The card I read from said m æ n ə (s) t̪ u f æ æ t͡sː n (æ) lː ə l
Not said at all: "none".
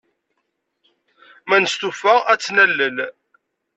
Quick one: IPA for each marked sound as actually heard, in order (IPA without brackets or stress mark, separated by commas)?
s, æ